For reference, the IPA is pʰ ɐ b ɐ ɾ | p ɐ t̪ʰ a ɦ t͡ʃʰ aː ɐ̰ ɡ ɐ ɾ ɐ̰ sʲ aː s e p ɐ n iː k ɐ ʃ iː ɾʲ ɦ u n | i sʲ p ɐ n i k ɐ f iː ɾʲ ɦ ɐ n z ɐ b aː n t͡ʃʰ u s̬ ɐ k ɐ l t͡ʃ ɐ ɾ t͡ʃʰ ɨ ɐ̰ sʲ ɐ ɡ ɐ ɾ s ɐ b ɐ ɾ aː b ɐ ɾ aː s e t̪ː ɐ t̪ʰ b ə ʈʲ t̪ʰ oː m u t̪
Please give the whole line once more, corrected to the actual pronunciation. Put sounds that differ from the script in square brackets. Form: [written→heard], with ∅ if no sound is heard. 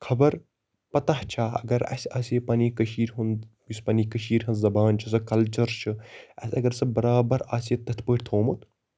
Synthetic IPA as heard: [pʰ→kʰ] ɐ b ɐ ɾ | p ɐ [t̪ʰ→t̪] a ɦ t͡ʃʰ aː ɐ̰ ɡ ɐ ɾ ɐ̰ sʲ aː s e p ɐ n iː k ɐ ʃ iː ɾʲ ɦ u n | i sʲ p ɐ n i k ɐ [f→ʃ] iː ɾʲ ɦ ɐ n z ɐ b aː n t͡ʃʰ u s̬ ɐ k ɐ l t͡ʃ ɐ ɾ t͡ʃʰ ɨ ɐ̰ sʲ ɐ ɡ ɐ ɾ s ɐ b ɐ ɾ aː b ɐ ɾ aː s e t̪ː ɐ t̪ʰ [b→p] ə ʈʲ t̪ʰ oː m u t̪